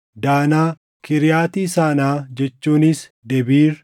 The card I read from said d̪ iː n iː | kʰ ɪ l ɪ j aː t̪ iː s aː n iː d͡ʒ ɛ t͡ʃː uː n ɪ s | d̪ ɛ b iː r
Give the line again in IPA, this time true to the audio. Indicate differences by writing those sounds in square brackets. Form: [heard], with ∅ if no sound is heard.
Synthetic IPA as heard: d̪ [aː] n [aː] | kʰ ɪ [ɾ] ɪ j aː t̪ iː s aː n [aː] d͡ʒ ɛ t͡ʃː uː n ɪ s | d̪ ɛ b iː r